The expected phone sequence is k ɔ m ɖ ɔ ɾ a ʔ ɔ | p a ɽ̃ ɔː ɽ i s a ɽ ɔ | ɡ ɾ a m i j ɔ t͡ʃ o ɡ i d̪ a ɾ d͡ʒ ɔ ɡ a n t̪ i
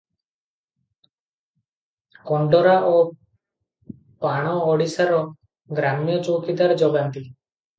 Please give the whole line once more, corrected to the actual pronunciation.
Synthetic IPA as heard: k ɔ ɳ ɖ ɔ ɾ a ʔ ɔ | p a ɽ̃ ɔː ɽ i s a ɾ ɔ | ɡ ɾ a m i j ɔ t͡ʃ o k i d̪ a ɾ d͡ʒ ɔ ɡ a n t̪ i